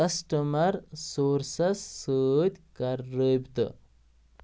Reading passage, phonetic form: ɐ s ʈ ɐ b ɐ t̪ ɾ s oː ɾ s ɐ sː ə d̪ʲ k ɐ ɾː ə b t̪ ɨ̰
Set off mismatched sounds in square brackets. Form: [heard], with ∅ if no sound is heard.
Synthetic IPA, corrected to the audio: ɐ s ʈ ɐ [m] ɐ [∅] ɾ s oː ɾ s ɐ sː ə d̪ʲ k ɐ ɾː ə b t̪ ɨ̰